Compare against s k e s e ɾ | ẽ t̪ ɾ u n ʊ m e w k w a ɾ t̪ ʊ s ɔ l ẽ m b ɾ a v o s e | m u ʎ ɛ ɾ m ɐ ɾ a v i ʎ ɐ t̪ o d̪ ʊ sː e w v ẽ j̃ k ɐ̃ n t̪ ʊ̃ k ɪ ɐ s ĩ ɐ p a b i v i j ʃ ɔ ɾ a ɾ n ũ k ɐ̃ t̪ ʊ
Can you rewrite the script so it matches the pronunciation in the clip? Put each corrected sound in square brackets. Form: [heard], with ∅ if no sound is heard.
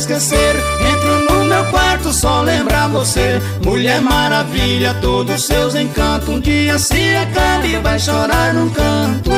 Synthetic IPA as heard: s k e s e ɾ | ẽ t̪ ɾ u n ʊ m e w k w a ɾ t̪ ʊ s ɔ l ẽ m b ɾ a v o s e | m u ʎ ɛ ɾ m [a] ɾ a v i ʎ ɐ t̪ o d̪ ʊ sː e w [z] ẽ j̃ k ɐ̃ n t̪ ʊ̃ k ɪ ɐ s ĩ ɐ [k] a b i v [a] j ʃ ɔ ɾ a ɾ n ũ k ɐ̃ t̪ ʊ